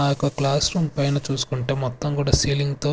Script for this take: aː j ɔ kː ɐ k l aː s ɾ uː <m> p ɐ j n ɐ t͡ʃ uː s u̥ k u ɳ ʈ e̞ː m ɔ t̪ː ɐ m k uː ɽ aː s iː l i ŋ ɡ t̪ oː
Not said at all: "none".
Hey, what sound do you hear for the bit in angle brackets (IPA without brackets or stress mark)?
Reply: m